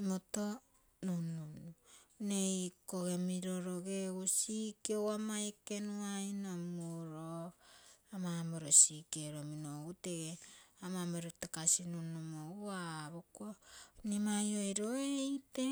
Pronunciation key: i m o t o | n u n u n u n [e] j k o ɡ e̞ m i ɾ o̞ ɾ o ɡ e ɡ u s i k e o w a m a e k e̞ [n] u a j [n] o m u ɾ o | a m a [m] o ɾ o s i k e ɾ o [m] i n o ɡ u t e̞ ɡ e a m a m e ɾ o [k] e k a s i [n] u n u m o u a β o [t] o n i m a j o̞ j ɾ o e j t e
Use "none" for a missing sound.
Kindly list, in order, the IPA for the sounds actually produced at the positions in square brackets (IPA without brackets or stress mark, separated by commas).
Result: e, n, n, m, m, t, n, k